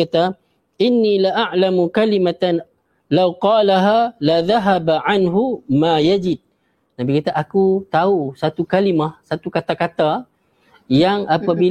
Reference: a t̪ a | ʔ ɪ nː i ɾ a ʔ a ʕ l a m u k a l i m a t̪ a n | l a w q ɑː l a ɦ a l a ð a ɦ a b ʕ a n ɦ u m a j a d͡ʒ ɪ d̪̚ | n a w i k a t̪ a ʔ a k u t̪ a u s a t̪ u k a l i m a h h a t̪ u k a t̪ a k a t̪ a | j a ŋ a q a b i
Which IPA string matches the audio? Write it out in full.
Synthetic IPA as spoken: a t̪ a | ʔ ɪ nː i l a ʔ a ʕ l a m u k a l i m a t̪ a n | l a w q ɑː l a ɦ a l a ð a ɦ a b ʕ a n ɦ u m a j a d͡ʒ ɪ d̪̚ | n a b i k a t̪ a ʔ a k u t̪ a u s a t̪ u k a l i m a h s a t̪ u k a t̪ a k a t̪ a | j a ŋ a p a b i